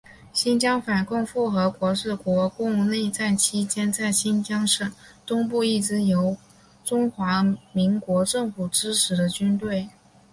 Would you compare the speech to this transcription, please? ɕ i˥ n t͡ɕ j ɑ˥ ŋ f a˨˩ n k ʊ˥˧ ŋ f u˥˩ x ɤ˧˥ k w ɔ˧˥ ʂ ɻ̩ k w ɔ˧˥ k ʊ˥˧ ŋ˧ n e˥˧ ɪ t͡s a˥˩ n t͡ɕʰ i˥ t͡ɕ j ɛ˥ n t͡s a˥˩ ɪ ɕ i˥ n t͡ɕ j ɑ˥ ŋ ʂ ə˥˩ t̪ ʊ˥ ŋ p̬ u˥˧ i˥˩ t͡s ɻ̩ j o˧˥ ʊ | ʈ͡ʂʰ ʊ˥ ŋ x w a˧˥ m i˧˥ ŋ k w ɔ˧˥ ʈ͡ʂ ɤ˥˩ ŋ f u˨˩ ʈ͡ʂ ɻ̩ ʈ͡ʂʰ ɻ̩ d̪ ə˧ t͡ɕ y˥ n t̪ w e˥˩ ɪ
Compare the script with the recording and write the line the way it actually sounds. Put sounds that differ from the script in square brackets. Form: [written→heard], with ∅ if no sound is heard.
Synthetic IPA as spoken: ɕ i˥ n t͡ɕ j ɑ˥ ŋ f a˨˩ n k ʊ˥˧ ŋ f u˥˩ x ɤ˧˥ k w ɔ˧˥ ʂ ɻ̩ k w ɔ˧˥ k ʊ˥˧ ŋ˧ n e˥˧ ɪ t͡s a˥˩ n t͡ɕʰ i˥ t͡ɕ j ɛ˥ n t͡s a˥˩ ɪ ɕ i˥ n t͡ɕ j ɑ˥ ŋ ʂ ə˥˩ t̪ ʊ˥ ŋ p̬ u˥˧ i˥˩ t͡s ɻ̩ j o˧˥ ʊ | [ʈ͡ʂʰ→ʈ͡ʂ] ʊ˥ ŋ x w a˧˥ m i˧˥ ŋ k w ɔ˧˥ ʈ͡ʂ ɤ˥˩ ŋ f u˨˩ ʈ͡ʂ ɻ̩ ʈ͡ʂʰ ɻ̩ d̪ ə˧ t͡ɕ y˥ n t̪ w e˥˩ ɪ